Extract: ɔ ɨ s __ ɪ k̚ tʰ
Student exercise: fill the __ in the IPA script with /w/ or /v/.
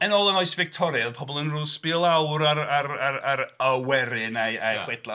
v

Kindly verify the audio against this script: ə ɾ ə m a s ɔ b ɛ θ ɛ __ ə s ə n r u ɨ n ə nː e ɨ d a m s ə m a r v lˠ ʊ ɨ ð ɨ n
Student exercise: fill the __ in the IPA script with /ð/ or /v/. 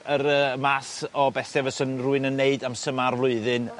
v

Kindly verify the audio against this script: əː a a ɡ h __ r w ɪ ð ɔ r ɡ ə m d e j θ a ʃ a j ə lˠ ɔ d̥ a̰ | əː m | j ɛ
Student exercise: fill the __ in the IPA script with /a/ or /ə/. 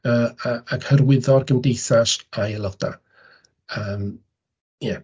ə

